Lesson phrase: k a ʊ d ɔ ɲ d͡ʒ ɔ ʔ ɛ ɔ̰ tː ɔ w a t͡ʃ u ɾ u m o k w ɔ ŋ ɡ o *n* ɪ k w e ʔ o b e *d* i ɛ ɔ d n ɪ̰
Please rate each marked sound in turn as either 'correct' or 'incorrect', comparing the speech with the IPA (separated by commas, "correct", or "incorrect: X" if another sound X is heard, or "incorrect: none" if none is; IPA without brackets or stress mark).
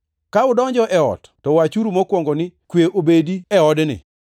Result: correct, correct